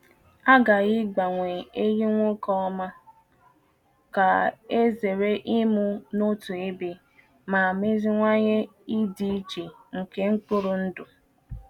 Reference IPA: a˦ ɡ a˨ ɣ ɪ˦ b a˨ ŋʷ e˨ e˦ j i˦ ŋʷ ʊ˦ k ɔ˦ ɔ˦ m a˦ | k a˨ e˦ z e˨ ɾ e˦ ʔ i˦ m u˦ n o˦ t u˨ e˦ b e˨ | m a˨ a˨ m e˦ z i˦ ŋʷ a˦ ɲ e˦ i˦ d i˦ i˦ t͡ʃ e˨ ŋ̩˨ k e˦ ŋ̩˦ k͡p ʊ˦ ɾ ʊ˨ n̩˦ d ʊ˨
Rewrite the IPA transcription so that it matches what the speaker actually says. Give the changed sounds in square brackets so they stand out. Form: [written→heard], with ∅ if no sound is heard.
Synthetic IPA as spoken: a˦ ɡ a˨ ɣ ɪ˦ [b→ɡ͡b] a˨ ŋʷ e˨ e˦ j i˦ ŋʷ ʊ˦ k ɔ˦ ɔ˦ m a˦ | k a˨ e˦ z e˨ ɾ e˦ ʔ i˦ m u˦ n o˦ t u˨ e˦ b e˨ | m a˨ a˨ m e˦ z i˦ ŋʷ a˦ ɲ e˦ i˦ d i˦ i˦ t͡ʃ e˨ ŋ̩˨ k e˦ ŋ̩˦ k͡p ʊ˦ ɾ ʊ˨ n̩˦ d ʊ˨